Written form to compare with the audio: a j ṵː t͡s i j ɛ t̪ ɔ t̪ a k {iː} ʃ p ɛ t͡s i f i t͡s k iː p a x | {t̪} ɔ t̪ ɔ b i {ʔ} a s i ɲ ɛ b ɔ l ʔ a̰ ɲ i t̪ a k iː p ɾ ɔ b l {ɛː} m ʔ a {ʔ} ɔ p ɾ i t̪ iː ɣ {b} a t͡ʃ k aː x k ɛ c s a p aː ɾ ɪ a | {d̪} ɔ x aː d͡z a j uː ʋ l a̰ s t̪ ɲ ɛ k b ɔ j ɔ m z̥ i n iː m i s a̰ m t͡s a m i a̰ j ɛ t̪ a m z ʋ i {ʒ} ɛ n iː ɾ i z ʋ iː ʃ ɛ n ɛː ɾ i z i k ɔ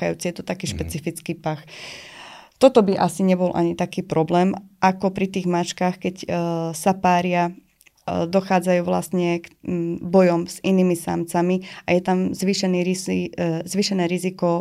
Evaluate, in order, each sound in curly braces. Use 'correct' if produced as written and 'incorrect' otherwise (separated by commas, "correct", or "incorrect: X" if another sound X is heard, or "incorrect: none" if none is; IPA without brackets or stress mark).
correct, correct, correct, correct, incorrect: k, incorrect: m, correct, incorrect: ʃ